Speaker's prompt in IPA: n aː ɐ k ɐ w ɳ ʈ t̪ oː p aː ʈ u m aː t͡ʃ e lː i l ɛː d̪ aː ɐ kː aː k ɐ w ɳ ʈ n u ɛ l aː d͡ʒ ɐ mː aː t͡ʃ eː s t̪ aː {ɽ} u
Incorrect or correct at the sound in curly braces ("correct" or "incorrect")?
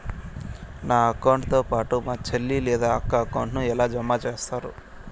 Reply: incorrect